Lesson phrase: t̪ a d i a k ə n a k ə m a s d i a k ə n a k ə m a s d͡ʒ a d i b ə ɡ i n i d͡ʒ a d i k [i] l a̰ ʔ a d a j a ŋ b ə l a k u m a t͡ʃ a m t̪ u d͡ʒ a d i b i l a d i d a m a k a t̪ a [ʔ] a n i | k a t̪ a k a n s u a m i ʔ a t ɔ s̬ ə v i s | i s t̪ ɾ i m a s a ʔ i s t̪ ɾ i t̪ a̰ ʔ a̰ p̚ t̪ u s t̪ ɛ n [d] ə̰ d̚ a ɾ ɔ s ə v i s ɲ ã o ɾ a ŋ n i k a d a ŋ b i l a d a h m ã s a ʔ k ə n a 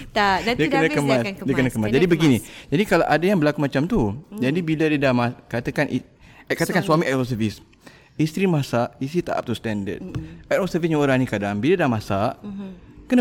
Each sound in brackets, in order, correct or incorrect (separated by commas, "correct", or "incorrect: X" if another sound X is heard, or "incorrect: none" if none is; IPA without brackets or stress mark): incorrect: a, incorrect: k, correct